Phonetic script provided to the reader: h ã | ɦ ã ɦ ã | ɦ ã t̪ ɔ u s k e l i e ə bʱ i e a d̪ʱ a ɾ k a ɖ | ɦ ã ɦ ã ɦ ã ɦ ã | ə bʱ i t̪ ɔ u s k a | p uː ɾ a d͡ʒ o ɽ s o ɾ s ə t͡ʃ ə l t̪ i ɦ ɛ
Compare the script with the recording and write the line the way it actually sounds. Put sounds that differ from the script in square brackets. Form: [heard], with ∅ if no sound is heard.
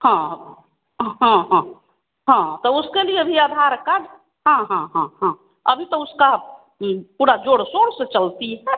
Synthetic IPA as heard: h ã | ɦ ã ɦ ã | ɦ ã t̪ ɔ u s k e l i e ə bʱ i e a d̪ʱ a ɾ k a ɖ | ɦ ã ɦ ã ɦ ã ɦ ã | ə bʱ i t̪ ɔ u s k a | p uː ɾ a d͡ʒ o ɽ s o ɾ s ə t͡ʃ ə l t̪ i ɦ ɛ